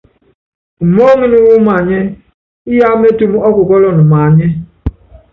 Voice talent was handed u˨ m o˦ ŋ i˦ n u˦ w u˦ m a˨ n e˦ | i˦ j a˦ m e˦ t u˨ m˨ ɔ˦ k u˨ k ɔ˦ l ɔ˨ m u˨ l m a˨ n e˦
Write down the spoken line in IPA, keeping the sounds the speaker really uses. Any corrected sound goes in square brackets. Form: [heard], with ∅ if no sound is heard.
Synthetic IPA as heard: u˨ m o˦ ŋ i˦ n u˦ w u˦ m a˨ [ɲ] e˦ | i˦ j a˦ m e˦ t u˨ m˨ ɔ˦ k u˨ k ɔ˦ l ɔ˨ [n] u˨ [∅] m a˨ [ɲ] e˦